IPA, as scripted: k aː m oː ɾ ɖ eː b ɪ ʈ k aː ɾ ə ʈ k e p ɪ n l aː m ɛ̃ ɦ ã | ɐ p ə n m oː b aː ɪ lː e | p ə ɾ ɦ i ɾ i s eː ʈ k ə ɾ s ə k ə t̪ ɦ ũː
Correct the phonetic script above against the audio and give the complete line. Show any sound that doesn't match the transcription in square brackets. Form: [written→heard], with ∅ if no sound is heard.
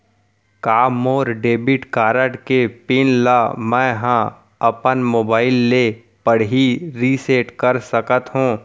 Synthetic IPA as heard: k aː m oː ɾ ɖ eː b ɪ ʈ k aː ɾ ə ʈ k e p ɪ n l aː m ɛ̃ ɦ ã | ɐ p ə n m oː b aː ɪ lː e | p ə [ɾ→ɽ] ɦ i ɾ i s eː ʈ k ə ɾ s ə k ə t̪ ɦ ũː